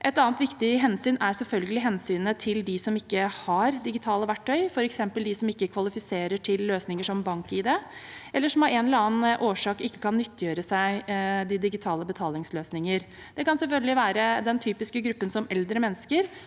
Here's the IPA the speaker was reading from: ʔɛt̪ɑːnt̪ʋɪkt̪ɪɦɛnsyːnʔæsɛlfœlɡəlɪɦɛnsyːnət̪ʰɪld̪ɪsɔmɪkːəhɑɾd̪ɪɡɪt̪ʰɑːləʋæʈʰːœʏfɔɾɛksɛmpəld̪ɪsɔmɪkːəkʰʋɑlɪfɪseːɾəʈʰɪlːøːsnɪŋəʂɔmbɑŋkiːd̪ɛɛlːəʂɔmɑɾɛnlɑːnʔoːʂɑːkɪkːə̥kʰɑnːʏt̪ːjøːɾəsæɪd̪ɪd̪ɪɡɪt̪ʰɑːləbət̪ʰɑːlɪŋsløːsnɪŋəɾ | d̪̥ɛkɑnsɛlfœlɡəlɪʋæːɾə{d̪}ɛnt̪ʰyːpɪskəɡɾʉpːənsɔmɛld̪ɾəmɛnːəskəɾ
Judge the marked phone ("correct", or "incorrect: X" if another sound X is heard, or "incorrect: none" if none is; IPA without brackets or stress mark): correct